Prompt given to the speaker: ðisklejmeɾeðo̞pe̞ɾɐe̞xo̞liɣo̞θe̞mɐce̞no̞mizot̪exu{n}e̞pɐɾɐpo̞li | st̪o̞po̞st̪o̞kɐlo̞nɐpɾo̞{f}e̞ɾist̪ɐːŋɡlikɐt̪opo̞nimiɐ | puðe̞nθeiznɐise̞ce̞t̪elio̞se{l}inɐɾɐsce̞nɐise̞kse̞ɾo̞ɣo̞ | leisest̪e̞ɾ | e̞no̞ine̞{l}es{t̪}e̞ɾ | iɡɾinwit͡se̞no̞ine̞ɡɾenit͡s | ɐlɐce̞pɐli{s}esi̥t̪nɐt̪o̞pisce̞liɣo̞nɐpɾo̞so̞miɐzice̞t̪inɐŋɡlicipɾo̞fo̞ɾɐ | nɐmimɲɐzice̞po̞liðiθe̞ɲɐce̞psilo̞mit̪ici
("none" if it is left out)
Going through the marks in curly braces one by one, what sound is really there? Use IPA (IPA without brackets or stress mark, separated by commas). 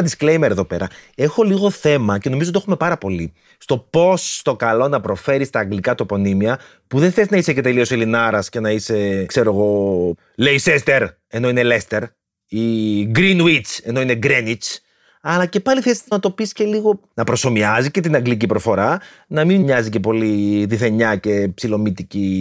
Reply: m, f, l, l, t̪, θ